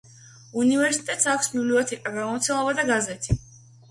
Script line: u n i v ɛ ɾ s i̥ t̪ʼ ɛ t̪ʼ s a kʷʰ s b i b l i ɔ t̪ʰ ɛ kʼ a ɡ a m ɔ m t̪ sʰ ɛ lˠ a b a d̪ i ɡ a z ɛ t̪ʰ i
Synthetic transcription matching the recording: u n i v ɛ ɾ s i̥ t̪ʼ ɛ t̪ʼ s a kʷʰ s b i b l i ɔ t̪ʰ ɛ kʼ a ɡ a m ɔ m t̪ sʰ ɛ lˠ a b a d̪ a ɡ a z ɛ t̪ʰ i